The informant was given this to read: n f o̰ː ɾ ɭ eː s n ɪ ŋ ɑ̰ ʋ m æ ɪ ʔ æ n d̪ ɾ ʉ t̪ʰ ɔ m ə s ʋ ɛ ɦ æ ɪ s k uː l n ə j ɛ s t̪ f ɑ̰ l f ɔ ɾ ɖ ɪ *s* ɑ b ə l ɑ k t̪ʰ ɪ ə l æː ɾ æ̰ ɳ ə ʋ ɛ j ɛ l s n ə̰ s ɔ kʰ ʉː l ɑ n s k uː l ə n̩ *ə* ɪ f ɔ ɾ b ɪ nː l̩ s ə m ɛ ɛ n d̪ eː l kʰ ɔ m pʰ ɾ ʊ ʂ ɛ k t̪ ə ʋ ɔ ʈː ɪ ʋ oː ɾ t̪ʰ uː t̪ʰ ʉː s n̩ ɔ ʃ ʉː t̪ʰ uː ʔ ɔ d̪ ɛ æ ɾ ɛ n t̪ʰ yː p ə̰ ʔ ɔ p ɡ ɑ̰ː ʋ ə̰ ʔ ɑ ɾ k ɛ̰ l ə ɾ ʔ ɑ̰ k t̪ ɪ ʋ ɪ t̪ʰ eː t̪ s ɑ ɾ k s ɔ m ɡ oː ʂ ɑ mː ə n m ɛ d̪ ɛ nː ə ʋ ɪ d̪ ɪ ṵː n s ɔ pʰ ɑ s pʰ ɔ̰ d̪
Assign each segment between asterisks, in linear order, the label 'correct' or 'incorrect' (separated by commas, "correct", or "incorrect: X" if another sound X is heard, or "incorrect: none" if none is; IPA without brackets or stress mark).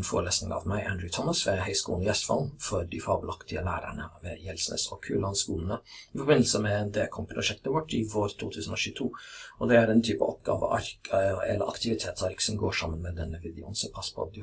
incorrect: f, correct